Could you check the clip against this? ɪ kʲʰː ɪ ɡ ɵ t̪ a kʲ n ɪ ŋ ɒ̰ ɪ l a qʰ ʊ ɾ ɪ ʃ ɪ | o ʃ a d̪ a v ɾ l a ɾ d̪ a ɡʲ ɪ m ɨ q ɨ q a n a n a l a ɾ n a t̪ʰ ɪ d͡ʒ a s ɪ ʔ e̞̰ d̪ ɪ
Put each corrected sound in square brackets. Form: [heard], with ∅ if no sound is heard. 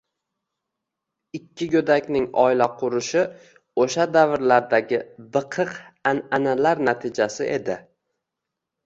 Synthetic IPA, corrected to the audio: ɪ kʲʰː ɪ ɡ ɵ [d̪] a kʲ n ɪ ŋ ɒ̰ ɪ l a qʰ ʊ ɾ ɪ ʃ ɪ | o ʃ a d̪ a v ɾ l a ɾ d̪ a ɡʲ ɪ [b] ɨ [qʰ] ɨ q a n a n a l a ɾ n a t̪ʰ ɪ d͡ʒ a s ɪ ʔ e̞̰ d̪ ɪ